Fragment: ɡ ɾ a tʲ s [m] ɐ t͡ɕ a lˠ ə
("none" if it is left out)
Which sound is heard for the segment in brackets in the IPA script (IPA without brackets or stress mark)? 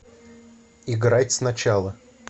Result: n